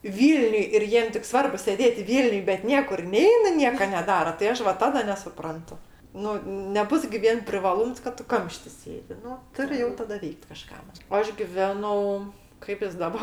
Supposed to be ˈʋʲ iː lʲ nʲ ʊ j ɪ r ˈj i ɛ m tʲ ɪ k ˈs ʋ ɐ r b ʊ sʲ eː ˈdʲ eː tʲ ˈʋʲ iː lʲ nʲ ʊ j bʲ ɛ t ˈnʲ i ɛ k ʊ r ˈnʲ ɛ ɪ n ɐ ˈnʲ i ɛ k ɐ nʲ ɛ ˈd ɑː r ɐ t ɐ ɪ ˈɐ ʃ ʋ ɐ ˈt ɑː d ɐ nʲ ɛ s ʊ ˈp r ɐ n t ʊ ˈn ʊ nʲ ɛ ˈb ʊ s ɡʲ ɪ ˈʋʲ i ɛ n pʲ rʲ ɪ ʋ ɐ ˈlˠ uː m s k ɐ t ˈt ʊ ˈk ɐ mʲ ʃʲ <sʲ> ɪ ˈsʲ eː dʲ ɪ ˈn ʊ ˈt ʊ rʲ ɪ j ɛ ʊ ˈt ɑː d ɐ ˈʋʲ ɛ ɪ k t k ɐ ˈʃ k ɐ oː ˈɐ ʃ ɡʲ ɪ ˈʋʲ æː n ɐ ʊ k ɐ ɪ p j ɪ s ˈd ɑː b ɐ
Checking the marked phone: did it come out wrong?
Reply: yes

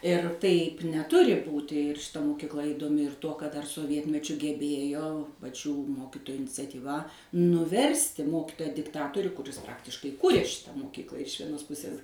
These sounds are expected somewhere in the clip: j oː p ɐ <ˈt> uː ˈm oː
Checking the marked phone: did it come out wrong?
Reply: yes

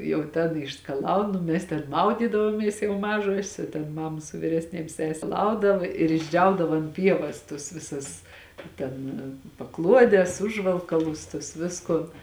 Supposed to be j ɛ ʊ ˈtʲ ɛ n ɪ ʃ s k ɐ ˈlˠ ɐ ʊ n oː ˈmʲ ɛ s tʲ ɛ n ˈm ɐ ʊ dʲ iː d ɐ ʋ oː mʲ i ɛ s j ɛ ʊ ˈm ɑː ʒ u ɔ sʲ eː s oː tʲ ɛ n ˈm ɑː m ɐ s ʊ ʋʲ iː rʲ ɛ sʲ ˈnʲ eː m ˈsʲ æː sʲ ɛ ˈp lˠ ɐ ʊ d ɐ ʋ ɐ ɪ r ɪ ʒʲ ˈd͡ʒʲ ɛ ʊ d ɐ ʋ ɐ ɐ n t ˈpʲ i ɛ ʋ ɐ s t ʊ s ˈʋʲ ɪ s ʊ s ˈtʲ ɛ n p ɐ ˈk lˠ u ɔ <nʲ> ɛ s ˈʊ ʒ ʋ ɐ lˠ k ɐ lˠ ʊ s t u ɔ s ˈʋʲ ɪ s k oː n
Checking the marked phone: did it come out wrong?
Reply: yes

